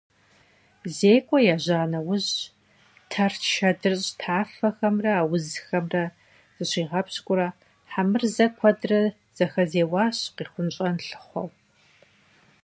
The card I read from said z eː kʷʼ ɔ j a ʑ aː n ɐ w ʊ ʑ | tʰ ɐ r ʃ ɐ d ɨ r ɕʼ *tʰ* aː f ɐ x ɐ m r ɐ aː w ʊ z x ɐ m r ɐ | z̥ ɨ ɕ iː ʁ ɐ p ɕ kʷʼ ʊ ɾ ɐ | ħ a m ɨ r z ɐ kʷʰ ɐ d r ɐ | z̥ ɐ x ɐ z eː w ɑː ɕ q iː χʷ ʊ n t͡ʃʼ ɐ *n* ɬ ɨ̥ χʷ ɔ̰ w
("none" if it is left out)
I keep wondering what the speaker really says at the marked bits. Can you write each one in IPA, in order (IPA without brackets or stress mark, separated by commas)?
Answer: tʰ, n